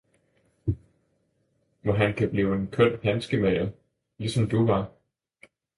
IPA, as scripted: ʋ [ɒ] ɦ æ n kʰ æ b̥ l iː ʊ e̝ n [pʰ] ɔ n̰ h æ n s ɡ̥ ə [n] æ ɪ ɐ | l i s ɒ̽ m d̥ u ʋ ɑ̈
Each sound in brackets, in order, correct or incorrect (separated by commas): correct, incorrect, incorrect